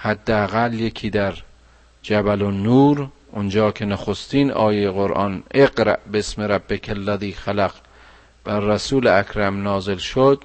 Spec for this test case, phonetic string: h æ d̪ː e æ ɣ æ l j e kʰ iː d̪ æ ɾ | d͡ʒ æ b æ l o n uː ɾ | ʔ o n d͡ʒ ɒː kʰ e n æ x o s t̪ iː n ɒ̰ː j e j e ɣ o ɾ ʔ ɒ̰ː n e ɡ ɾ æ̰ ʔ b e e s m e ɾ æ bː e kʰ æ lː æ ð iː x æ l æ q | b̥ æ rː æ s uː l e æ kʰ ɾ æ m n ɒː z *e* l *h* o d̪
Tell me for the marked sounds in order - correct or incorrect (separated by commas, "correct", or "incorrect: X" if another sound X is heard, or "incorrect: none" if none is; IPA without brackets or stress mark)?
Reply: correct, incorrect: ʃ